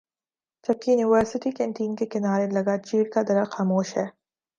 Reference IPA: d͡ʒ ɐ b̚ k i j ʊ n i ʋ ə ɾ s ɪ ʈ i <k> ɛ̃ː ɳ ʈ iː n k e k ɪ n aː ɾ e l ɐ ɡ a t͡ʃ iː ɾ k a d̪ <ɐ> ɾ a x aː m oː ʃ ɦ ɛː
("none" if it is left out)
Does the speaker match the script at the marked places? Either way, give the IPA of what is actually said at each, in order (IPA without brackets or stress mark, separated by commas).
k, ɐ